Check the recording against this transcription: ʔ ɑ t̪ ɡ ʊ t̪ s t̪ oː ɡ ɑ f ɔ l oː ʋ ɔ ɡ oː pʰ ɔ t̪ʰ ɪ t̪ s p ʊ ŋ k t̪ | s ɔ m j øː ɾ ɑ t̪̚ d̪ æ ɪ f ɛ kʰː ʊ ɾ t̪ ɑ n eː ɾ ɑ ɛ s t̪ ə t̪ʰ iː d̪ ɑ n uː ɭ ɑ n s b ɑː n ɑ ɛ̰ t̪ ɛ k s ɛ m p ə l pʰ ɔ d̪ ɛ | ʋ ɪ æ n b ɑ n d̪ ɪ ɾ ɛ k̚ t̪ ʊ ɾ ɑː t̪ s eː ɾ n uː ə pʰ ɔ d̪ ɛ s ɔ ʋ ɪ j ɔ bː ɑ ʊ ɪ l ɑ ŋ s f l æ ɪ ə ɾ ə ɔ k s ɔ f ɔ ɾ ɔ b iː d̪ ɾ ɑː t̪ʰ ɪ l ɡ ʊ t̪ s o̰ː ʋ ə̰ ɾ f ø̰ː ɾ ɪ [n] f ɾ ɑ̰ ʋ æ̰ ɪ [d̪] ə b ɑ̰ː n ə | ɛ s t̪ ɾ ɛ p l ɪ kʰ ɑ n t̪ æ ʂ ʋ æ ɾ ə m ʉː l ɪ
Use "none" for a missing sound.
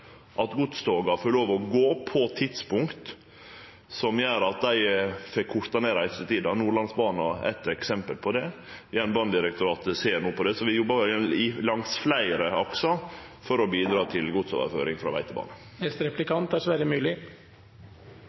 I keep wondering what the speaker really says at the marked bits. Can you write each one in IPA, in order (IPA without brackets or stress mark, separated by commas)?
ŋ, t̪